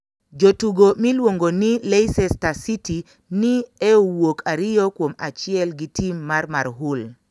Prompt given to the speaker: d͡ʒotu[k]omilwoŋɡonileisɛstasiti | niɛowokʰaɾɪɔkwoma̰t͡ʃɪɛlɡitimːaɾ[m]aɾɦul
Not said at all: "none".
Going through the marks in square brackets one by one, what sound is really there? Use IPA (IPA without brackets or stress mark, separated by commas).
ɡ, m